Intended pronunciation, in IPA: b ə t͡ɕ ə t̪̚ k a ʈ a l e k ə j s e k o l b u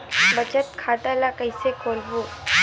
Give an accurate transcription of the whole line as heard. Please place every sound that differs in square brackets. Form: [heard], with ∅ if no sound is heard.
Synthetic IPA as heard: b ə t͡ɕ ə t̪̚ [kʰ] a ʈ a l [a] k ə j s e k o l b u